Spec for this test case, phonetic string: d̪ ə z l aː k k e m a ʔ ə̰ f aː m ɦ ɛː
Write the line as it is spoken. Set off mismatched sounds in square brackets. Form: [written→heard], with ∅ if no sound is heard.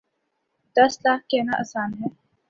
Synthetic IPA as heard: d̪ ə [z→s] l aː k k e [m→n] a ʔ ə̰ [f→s] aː [m→n] ɦ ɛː

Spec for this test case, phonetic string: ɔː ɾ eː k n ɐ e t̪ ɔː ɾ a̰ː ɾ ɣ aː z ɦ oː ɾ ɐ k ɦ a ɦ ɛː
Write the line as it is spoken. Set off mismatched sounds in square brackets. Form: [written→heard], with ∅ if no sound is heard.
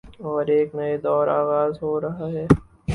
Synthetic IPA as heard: ɔː ɾ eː k n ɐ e [t̪→d̪] ɔː ɾ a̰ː [ɾ→∅] ɣ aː z ɦ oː ɾ ɐ [k→∅] ɦ a ɦ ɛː

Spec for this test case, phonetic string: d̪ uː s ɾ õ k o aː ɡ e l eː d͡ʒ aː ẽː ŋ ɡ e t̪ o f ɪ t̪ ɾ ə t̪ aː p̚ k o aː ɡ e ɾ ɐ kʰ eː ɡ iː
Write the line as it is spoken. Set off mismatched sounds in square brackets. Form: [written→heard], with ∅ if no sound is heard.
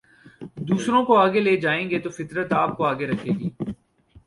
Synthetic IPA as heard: d̪ uː s ɾ õ k o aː ɡ e l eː d͡ʒ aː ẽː ŋ ɡ e t̪ o f ɪ t̪ ɾ ə t̪ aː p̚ k o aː ɡ e ɾ ɐ kʰ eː ɡ iː

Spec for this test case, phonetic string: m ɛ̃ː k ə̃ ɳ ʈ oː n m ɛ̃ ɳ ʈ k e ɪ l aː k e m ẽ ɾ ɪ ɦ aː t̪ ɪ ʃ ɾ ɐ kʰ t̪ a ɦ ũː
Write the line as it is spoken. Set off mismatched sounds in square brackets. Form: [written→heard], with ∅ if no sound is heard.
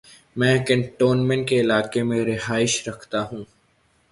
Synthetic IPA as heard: m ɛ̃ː k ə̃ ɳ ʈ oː n m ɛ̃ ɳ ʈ k e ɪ l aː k e m ẽ ɾ ɪ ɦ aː [t̪→∅] ɪ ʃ ɾ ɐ kʰ t̪ a ɦ ũː

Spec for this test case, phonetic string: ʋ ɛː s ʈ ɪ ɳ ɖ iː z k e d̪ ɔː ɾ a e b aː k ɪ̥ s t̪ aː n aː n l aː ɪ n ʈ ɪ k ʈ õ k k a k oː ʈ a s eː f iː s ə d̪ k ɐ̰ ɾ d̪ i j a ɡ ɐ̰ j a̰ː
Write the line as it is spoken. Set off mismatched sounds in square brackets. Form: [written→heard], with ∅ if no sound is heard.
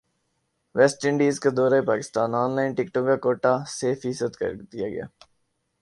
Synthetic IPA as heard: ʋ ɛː s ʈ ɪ ɳ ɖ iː z k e d̪ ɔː ɾ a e [b→p] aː k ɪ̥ s t̪ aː n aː n l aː ɪ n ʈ ɪ k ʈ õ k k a k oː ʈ a s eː f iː s ə d̪ k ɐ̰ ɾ d̪ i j a ɡ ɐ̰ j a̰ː

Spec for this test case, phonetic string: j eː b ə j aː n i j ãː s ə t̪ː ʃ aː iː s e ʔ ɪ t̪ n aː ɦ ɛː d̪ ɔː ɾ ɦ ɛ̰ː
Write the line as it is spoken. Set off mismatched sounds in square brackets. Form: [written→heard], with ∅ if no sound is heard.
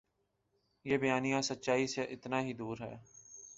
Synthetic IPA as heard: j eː b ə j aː n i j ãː s ə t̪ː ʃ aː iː s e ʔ ɪ t̪ n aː ɦ [ɛː→iː] d̪ [ɔː→uː] ɾ ɦ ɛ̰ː

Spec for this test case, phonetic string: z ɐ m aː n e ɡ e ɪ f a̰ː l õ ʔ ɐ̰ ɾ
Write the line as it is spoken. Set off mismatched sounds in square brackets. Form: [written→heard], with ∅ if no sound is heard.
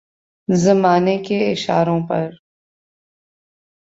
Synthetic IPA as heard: z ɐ m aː n e [ɡ→k] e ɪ [f→ʃ] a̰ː [l→ɾ] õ [ʔ→p] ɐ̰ ɾ

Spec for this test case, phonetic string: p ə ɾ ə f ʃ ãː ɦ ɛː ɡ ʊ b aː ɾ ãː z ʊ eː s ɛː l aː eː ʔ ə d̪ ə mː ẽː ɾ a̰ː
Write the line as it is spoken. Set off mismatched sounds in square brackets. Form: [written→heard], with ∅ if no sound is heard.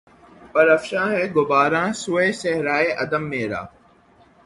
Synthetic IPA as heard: p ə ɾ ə f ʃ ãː ɦ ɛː ɡ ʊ b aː ɾ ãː [z→s] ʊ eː s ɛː [l→ɾ] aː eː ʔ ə d̪ ə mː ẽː ɾ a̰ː

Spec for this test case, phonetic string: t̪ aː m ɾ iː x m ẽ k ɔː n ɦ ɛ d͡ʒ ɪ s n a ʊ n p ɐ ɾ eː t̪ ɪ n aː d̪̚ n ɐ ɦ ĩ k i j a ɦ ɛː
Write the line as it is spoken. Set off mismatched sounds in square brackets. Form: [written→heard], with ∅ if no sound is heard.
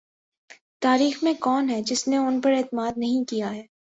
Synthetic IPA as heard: t̪ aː [m→∅] ɾ iː x m ẽ k ɔː n ɦ ɛ d͡ʒ ɪ s n [a→e] ʊ n p ɐ ɾ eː t̪ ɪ [n→m] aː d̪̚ n ɐ ɦ ĩ k i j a ɦ ɛː

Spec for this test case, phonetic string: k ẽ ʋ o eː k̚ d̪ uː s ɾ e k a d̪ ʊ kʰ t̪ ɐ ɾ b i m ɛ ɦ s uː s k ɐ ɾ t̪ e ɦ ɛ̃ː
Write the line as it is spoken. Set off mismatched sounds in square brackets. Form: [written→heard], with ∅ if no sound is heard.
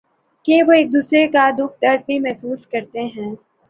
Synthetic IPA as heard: k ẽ ʋ o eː k̚ d̪ uː s ɾ e k a d̪ ʊ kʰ t̪ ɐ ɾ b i m ɛ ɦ s uː s k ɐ ɾ t̪ e ɦ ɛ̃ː

